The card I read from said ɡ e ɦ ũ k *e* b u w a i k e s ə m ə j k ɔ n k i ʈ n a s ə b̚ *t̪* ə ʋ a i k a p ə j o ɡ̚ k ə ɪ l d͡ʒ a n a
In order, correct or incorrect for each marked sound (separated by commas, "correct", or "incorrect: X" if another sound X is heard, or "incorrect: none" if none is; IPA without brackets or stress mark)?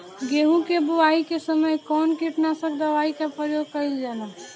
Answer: correct, incorrect: d̪